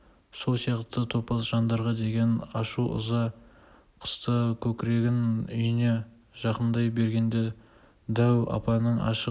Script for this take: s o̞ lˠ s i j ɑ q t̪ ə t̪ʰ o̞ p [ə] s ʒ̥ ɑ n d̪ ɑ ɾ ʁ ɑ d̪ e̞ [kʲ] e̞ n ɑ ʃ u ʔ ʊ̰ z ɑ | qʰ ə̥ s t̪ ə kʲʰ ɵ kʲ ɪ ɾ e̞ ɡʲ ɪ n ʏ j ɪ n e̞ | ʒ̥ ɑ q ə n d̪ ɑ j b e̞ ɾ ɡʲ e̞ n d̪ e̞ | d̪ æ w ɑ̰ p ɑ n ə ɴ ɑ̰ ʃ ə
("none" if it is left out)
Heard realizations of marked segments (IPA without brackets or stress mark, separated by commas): ɑ, ɡʲ